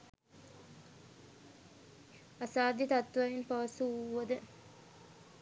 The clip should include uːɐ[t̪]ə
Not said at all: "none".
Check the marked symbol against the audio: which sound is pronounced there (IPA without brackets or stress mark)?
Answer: d̪